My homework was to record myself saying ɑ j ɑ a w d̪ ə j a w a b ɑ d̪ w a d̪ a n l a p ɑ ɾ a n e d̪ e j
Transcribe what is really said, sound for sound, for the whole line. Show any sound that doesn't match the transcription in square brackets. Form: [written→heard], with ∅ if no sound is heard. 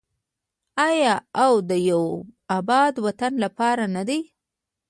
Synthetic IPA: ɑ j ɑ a w d̪ ə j a w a b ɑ d̪ w a [d̪→t̪] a n l a p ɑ ɾ a n [e→a] d̪ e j